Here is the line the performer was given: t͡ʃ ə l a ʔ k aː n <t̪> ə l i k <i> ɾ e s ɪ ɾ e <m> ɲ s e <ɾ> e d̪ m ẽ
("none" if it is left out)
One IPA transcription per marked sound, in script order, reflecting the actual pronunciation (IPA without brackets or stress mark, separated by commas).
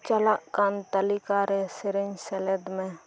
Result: t̪, a, none, l